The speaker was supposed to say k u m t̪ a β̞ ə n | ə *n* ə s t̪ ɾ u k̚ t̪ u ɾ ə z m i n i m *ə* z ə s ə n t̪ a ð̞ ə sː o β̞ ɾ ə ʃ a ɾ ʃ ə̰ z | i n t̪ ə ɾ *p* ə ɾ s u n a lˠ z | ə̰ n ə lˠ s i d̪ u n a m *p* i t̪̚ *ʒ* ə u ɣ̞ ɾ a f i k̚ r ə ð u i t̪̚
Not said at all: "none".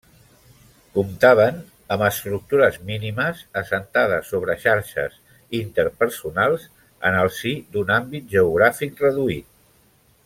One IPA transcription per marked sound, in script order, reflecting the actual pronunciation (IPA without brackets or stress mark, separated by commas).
m, ə, p, b, ʒ